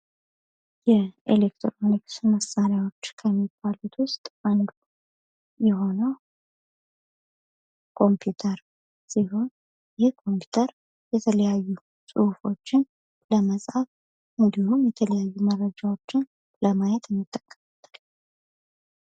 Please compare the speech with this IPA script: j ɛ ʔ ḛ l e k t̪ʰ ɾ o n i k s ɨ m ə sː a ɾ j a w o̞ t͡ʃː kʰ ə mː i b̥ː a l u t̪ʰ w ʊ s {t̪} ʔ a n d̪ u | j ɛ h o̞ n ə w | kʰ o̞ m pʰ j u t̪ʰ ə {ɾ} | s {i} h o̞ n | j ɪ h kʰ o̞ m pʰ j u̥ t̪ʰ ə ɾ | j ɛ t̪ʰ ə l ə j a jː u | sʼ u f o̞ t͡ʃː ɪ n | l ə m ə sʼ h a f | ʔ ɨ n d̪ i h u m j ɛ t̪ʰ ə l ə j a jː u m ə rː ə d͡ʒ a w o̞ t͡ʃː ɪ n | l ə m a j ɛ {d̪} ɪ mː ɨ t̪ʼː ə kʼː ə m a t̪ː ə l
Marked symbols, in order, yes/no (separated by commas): no, yes, yes, no